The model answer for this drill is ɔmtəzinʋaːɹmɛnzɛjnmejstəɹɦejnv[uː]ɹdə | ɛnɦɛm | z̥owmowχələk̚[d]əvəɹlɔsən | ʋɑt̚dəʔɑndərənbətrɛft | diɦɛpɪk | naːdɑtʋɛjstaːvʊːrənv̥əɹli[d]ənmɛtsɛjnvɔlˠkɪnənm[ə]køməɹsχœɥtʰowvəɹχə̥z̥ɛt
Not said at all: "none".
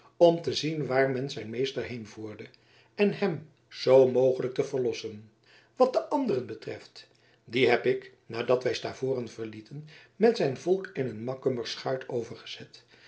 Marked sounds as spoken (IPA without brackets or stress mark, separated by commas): uː, t, t, ɑ